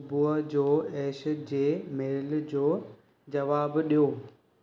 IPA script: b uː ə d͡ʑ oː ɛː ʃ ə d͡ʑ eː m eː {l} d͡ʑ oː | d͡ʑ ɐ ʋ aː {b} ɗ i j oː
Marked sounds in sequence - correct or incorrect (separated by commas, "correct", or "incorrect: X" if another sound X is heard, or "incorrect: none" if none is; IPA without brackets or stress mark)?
correct, correct